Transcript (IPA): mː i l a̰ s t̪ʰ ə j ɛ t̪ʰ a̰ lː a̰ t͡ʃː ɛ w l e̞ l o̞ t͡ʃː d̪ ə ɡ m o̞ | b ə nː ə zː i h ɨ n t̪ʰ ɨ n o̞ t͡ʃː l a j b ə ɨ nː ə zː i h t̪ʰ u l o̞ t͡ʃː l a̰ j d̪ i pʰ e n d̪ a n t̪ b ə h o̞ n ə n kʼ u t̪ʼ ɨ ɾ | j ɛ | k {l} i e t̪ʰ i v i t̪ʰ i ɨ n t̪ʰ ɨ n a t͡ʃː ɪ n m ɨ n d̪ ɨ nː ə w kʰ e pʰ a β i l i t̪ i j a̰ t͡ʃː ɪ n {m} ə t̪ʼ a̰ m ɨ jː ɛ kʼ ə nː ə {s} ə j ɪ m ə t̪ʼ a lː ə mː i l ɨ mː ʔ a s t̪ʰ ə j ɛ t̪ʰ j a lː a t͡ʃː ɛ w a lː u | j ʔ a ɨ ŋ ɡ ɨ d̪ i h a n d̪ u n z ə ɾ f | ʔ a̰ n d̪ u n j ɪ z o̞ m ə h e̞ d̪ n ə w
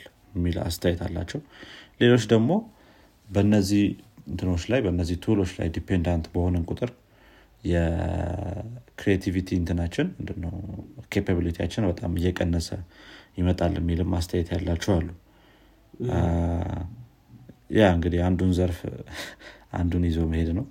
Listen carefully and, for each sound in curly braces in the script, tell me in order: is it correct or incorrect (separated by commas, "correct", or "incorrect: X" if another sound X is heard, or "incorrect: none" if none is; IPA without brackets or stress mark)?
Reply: incorrect: ɾ, incorrect: b, correct